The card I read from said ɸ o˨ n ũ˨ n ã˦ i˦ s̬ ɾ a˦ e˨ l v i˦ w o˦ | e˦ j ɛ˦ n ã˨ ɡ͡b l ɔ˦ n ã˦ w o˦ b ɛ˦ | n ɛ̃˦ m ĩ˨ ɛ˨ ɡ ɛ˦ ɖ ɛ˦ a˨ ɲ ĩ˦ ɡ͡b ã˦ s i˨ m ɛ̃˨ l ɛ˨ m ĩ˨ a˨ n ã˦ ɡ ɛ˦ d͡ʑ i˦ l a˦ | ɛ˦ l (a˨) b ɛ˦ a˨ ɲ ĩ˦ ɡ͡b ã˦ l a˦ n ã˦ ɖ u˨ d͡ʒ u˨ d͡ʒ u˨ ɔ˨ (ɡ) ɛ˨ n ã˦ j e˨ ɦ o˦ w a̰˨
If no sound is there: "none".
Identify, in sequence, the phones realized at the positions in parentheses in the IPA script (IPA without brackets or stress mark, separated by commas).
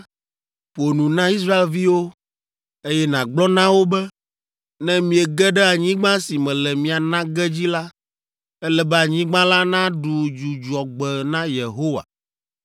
ɛ˨, ɡ͡b